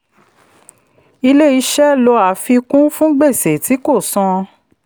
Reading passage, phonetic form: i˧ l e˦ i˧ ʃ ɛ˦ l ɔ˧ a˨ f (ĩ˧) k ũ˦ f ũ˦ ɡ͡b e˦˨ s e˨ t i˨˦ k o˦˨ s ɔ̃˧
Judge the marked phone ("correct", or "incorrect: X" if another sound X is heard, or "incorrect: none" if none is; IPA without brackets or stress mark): incorrect: i˧